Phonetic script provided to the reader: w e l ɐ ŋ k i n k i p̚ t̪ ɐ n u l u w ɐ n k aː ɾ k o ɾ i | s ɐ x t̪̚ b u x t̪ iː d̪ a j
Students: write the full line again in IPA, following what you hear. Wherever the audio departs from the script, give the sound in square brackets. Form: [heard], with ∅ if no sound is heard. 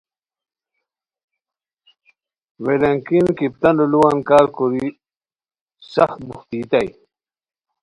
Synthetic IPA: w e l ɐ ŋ k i n k i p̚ t̪ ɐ n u l u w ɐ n k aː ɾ k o ɾ i | s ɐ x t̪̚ b u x t̪ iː [t̪] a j